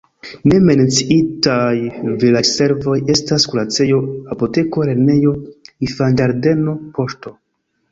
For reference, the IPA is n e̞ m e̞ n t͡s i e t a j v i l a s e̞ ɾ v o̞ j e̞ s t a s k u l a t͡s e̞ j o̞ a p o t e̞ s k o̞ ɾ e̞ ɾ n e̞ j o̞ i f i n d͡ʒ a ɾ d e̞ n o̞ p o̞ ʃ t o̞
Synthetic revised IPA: n e̞ m e̞ n t͡s i i t a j v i l a s e̞ ɾ v o̞ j e̞ s t a s k u l a t͡s e̞ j o̞ a p o t e̞ k o̞ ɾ e̞ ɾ n e̞ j o̞ i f a n d͡ʒ a ɾ d e̞ n o̞ p o̞ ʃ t o̞